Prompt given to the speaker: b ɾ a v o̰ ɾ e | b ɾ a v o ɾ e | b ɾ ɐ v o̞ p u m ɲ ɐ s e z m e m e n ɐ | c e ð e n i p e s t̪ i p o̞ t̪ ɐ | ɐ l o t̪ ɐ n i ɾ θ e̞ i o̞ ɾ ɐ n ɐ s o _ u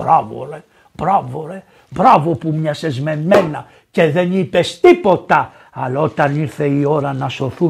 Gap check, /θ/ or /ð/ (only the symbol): θ